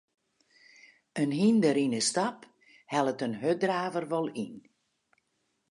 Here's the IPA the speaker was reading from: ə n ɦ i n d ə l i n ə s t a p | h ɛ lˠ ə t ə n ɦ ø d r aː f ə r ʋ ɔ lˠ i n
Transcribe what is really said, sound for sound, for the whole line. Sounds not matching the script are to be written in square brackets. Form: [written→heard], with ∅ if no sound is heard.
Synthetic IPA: ə n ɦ i n d ə [l→ɾ] i n ə s t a p | h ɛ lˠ ə t ə n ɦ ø d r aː [f→v] ə r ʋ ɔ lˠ i n